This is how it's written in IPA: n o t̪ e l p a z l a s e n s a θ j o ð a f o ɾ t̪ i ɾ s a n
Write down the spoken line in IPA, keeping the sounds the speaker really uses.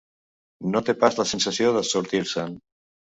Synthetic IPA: n o t̪ e p a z l a s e n s a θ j o ð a s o ɾ t̪ i ɾ s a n